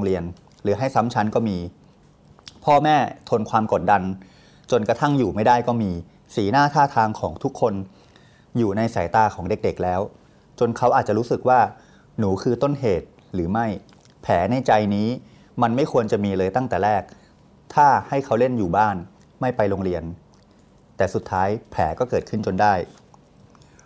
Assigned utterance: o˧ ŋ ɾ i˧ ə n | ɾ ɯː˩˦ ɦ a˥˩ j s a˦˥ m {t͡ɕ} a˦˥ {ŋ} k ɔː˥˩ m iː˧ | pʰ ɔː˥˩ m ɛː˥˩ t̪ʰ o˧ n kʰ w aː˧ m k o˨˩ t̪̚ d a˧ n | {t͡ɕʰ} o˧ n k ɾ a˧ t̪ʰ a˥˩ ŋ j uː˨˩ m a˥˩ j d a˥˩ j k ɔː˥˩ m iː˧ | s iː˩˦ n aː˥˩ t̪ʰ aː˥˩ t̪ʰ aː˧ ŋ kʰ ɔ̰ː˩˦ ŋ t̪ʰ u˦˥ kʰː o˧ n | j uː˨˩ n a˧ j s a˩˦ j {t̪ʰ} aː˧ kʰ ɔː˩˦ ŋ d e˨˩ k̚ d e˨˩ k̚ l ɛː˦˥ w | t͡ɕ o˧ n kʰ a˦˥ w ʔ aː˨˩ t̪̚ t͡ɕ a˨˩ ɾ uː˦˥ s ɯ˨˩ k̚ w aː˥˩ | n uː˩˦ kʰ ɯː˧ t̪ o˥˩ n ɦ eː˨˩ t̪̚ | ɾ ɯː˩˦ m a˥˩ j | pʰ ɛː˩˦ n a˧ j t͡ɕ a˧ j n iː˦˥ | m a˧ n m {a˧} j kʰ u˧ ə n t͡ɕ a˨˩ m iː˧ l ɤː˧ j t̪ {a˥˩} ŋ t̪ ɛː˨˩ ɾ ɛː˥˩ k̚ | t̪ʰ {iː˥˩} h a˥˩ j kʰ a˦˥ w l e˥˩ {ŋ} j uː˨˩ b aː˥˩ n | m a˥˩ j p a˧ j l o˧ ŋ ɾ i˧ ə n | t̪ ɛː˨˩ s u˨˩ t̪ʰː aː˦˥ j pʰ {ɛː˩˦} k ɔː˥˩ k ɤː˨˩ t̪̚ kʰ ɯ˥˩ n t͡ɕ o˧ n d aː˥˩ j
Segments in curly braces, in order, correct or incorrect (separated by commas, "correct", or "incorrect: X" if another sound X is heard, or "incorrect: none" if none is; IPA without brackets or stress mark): incorrect: t͡ɕʰ, incorrect: n, incorrect: t͡ɕ, incorrect: t̪, incorrect: a˥˩, correct, incorrect: aː˥˩, incorrect: n, correct